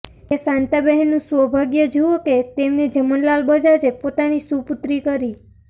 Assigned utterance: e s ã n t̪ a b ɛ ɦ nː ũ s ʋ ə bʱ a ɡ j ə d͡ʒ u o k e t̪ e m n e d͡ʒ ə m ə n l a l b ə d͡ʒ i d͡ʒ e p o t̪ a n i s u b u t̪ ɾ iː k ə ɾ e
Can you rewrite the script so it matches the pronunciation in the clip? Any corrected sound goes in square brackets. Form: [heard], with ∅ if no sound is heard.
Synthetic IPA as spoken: e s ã n t̪ a b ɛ ɦ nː ũ s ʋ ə bʱ a ɡ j ə d͡ʒ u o k e t̪ e m n e d͡ʒ ə m ə n l a l b ə d͡ʒ [a] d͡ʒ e p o t̪ a n i s u [p] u t̪ ɾ [i] k ə ɾ [i]